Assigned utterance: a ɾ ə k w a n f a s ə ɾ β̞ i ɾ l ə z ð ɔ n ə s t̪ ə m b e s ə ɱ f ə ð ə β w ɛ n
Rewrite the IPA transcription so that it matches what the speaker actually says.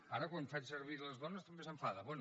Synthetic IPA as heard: a ɾ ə k w a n f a s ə ɾ β̞ i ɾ l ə z ð ɔ n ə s t̪ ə m b e s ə ɱ f a ð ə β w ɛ n